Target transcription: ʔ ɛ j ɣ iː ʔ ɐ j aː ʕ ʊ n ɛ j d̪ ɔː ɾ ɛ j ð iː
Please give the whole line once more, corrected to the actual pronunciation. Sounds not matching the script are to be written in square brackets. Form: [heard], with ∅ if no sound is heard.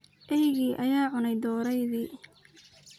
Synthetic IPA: ʔ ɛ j ɣ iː ʔ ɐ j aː ʕ ʊ n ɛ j d̪ ɔː ɾ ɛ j ð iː